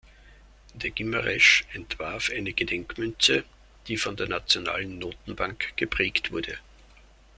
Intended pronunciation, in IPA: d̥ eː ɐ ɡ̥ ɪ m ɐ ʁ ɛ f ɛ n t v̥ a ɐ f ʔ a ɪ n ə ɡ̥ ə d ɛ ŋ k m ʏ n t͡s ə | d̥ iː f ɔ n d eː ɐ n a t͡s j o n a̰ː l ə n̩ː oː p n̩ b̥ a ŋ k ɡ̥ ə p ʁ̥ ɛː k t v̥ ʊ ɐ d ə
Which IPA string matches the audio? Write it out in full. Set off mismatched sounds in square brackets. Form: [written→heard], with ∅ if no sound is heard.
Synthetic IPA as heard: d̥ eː ɐ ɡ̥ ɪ m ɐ ʁ ɛ [f→ʃ] ɛ n t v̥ a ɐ f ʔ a ɪ n ə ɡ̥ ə d ɛ ŋ k m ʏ n t͡s ə | d̥ iː f ɔ n d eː ɐ n a t͡s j o n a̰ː l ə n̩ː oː [p→t] n̩ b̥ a ŋ k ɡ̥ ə p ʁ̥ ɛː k t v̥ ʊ ɐ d ə